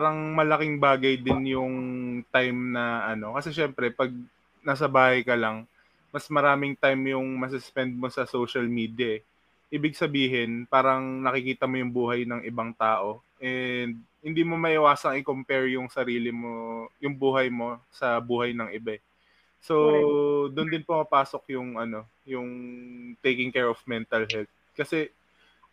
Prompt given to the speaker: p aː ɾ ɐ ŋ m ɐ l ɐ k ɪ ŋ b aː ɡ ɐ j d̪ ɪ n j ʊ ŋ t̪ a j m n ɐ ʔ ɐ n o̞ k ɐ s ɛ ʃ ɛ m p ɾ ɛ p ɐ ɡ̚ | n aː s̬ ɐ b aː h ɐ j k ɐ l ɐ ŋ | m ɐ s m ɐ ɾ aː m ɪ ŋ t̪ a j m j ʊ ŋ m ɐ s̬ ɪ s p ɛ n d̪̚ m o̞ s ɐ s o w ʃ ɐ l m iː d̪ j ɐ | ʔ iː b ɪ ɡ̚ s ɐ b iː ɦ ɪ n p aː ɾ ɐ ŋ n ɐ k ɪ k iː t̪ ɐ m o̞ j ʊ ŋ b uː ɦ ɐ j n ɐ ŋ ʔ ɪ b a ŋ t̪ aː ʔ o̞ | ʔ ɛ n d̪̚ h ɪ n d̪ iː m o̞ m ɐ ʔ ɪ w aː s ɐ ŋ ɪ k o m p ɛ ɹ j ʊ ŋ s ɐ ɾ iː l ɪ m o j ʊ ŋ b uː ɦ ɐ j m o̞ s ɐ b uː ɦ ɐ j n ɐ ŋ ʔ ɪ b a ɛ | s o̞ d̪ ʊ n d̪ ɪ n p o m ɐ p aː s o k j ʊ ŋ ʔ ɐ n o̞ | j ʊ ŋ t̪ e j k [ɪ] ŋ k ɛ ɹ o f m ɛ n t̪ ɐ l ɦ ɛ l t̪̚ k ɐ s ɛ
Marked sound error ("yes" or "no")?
no